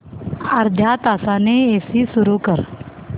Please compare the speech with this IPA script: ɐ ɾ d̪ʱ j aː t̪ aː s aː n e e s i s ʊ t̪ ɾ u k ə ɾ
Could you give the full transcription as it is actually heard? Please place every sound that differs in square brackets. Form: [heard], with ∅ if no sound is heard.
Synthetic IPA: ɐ ɾ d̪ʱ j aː t̪ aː s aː n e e s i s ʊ [∅] ɾ u k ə ɾ